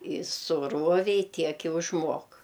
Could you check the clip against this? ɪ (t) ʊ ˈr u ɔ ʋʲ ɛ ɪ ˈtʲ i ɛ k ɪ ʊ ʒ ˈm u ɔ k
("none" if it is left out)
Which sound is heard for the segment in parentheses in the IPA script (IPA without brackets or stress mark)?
s